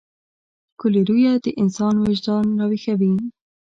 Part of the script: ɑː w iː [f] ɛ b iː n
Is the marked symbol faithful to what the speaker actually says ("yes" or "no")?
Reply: no